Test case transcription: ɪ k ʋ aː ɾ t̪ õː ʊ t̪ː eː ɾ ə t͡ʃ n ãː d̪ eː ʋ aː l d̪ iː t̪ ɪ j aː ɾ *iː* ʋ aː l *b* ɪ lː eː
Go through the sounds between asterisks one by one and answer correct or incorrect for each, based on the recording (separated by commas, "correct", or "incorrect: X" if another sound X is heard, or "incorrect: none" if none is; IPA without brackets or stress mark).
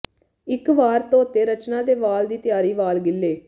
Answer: correct, incorrect: ɡ